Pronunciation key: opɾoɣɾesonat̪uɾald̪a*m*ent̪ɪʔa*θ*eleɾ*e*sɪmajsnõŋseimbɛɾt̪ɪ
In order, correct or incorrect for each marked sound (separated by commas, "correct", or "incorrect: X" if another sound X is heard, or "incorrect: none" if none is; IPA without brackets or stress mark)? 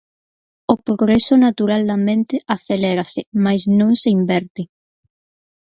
correct, correct, incorrect: a